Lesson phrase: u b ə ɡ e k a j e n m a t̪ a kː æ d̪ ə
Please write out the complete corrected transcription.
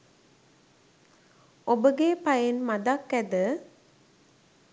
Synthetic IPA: o b ə ɡ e p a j e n m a d̪ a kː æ d̪ ə